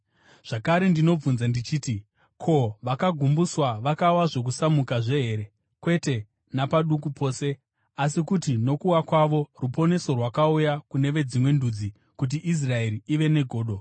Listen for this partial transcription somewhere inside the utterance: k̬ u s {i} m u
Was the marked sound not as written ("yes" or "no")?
yes